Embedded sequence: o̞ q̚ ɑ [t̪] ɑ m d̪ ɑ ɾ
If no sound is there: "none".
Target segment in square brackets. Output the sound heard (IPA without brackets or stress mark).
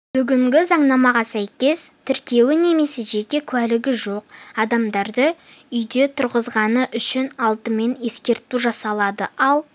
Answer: d̪